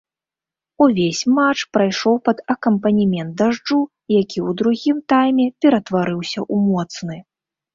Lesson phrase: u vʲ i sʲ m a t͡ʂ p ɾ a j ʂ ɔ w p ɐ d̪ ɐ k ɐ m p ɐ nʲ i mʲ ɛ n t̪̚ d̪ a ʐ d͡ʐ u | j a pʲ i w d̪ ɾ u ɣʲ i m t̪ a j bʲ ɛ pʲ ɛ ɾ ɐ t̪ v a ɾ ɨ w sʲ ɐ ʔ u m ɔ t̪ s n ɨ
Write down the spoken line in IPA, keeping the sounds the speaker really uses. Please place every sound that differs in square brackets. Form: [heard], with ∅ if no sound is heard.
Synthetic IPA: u vʲ [e] sʲ m a t͡ʂ p ɾ a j ʂ ɔ w p ɐ d̪ ɐ k ɐ m p ɐ nʲ i mʲ ɛ n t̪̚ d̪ a ʐ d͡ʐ u | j a [kʲ] i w d̪ ɾ u ɣʲ i m t̪ a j [mʲ] ɛ pʲ ɛ ɾ ɐ t̪ v a ɾ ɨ w sʲ ɐ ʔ u m ɔ t̪ s n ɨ